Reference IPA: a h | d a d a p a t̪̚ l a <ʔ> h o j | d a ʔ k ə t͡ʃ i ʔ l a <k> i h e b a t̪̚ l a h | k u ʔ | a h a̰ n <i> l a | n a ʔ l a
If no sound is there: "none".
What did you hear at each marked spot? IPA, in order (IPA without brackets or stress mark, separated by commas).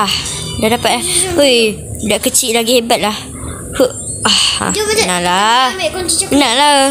none, ɡ, a